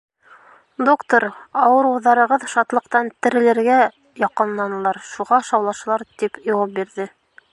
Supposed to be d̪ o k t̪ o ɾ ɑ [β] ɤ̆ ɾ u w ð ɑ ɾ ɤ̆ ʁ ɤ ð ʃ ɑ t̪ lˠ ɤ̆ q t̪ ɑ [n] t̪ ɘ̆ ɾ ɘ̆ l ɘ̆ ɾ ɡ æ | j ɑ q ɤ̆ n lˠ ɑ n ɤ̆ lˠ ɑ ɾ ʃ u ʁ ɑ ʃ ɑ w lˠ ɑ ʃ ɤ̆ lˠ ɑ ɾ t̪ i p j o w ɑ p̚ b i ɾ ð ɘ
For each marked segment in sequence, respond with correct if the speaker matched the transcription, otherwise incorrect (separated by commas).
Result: incorrect, correct